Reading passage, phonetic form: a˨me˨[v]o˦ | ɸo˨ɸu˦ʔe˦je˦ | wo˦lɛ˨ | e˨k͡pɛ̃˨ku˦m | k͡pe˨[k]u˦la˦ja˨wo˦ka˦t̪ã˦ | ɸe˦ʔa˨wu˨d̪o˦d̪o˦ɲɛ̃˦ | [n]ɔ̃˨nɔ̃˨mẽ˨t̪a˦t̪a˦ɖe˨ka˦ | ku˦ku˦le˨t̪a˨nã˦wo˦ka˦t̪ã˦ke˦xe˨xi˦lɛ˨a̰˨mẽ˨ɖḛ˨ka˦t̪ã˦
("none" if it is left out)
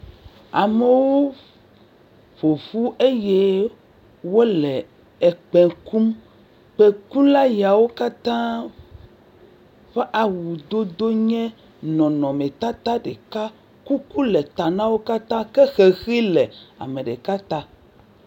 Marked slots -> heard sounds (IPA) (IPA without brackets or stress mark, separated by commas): w, k, n